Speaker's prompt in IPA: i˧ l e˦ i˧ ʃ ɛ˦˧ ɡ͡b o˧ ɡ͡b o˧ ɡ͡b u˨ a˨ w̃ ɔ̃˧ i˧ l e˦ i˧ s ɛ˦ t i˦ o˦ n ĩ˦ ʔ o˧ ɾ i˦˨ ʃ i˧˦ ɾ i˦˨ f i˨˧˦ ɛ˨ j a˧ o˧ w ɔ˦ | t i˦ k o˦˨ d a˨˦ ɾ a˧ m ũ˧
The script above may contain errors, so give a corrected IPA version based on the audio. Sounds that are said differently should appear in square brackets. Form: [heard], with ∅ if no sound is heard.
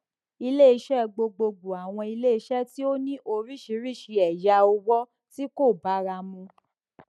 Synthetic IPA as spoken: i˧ l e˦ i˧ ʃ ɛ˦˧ ɡ͡b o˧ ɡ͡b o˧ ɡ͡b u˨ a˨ w̃ ɔ̃˧ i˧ l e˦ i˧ [ʃ] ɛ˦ t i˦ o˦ n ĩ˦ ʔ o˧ ɾ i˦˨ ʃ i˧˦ ɾ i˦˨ [ʃ] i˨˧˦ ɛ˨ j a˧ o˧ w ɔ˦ | t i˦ k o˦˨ [b] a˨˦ ɾ a˧ m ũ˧